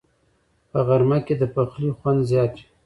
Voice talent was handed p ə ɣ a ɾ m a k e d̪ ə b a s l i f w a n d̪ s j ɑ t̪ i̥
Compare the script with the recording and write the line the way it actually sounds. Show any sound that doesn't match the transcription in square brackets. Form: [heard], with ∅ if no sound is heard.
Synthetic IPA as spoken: p ə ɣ a ɾ m a k e d̪ ə [p] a [x] l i [x] w a n d̪ [z] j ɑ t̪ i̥

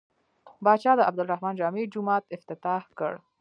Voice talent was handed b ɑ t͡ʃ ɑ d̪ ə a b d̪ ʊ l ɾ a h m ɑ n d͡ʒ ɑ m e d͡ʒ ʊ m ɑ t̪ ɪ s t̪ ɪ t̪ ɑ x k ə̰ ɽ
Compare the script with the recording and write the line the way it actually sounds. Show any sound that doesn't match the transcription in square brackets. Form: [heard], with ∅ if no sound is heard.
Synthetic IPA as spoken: b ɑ t͡ʃ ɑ d̪ ə a b d̪ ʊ l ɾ a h m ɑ n d͡ʒ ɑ m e d͡ʒ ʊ m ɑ t̪ ɪ [f] t̪ ɪ t̪ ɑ [h] k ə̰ ɽ

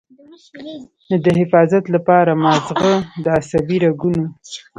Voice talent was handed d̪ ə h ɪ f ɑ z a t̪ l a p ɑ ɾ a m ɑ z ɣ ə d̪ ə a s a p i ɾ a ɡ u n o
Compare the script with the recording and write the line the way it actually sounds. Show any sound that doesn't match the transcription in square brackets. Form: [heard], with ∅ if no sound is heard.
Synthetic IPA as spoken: d̪ ə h ɪ f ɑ z a t̪ l a p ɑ ɾ a m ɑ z ɣ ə d̪ ə a s a [b] i ɾ a ɡ u n o

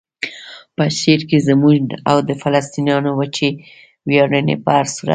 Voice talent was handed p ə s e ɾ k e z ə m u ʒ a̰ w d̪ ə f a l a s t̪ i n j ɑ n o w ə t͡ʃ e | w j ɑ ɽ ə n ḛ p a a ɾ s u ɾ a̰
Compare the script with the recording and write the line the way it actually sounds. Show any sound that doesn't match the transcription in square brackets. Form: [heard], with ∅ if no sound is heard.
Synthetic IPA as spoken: p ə [ʃ] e ɾ k e z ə m u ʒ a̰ w d̪ ə f a l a s t̪ i n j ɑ n o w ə t͡ʃ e | w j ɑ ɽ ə n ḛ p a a ɾ s u ɾ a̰

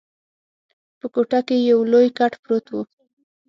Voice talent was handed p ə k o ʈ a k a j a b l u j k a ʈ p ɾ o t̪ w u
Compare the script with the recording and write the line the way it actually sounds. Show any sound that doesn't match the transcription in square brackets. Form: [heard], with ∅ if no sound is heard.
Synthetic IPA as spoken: p ə k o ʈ a k [e] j a [w] l [o] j k a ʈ p ɾ o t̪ w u

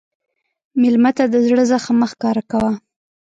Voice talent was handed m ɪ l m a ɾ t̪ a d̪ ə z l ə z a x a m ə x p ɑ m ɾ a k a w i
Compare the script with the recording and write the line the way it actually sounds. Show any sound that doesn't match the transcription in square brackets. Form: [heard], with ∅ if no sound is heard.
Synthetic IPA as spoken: m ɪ l m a [∅] t̪ a d̪ ə z [ɽ] ə z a x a m ə x [k] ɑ [∅] ɾ a k a w [a]

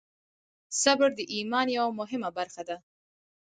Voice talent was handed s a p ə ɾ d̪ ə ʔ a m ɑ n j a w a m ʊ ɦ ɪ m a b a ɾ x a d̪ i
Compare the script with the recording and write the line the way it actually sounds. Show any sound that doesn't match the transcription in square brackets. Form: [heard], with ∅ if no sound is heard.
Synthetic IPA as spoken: s a [b] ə ɾ d̪ ə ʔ [i] m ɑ n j a w a m ʊ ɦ ɪ m a b a ɾ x a d̪ [a]

